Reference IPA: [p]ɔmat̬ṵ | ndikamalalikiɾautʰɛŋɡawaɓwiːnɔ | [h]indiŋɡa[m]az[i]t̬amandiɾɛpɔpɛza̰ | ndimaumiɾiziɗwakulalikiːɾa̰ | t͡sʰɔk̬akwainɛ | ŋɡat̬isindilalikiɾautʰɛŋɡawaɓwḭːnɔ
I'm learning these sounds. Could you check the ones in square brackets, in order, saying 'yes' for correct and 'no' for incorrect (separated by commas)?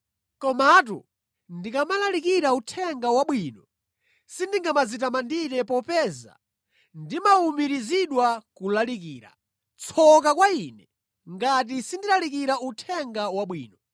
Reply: no, no, yes, yes